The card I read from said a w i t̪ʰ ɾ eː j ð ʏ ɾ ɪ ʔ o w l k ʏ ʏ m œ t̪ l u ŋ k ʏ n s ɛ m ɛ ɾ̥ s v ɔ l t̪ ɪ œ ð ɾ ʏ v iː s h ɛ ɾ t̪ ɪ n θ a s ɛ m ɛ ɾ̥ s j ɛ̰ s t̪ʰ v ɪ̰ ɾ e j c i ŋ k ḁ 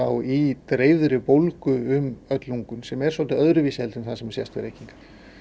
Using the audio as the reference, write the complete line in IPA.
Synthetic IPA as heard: a w i t̪ ɾ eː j ð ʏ ɾ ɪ p o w l k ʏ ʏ m œ t̪ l u ŋ k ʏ n s ɛ m ɛ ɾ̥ s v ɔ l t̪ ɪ œ ð ɾ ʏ v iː s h ɛ l t̪ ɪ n θ a s ɛ m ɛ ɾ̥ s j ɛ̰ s t̪ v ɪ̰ ɾ e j c i ŋ k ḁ